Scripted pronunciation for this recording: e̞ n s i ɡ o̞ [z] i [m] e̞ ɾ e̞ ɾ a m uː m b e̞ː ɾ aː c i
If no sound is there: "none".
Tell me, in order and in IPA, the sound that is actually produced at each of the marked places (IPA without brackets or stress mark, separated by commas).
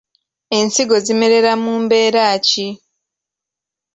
z, m